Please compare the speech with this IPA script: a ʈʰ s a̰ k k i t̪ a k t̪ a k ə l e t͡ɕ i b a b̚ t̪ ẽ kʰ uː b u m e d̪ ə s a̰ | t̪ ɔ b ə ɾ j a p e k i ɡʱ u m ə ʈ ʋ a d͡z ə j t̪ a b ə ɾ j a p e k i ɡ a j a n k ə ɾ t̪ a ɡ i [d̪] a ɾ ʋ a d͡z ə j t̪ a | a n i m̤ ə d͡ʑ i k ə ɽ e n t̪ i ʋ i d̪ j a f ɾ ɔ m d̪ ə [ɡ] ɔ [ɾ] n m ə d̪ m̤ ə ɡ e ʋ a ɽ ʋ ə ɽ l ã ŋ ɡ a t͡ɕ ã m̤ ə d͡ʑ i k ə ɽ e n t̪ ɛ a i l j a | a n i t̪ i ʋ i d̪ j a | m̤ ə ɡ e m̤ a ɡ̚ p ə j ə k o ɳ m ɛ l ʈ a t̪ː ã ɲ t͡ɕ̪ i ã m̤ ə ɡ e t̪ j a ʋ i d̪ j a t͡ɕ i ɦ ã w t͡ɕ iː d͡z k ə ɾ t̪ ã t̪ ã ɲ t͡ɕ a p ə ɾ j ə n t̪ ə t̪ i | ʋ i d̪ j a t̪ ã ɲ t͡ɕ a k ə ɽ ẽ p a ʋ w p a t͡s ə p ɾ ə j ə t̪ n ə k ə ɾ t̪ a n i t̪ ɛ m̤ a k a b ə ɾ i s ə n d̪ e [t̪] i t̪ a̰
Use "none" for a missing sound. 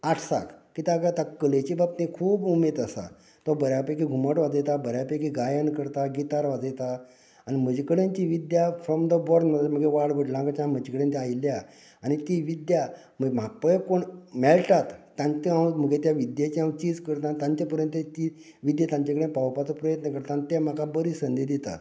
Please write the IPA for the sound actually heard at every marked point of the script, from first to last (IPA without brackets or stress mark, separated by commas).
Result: t̪, b, ɾ, d̪